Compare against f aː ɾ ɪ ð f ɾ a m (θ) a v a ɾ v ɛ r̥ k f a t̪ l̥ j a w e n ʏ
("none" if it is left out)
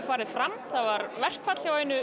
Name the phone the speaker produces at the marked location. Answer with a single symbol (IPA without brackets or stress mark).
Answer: θ